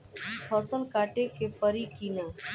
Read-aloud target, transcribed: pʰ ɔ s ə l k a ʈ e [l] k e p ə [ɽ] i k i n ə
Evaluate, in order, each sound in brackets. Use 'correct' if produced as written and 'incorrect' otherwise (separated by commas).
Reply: incorrect, incorrect